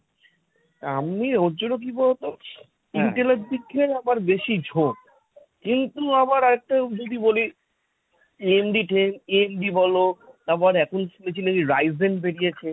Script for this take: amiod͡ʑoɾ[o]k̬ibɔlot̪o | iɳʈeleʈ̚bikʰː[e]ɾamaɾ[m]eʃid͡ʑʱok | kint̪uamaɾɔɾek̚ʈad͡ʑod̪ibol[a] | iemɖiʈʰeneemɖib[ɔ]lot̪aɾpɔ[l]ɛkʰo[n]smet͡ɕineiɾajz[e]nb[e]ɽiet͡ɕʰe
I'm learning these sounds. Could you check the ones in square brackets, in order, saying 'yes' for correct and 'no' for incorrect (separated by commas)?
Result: yes, yes, no, no, yes, no, yes, yes, yes